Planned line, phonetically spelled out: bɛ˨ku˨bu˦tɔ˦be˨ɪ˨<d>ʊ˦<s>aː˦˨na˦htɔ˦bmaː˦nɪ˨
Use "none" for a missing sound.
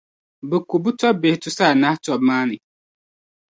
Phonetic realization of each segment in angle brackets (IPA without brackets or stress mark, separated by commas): t, s